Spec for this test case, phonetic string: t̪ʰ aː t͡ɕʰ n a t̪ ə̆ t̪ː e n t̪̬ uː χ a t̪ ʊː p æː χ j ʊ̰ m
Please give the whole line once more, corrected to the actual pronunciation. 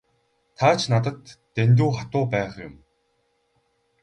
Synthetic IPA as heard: t̪ʰ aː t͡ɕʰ n a t̪ ə̆ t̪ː e n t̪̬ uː χ a t̪ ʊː p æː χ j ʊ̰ m